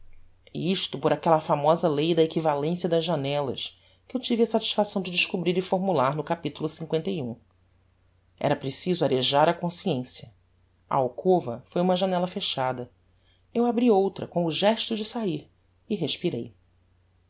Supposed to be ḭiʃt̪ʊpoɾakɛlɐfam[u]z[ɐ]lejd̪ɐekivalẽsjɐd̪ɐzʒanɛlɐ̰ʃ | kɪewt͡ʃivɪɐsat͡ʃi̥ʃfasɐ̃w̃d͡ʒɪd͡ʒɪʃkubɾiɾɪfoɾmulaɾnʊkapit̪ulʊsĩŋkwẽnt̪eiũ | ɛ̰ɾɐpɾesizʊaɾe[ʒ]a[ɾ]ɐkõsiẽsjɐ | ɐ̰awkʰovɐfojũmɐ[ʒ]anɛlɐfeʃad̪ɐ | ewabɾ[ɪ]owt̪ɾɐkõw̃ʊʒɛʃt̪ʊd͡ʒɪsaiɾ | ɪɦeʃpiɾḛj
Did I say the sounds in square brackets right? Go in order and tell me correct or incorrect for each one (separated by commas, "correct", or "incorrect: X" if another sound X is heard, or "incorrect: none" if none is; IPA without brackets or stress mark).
incorrect: ɔ, correct, correct, correct, correct, incorrect: i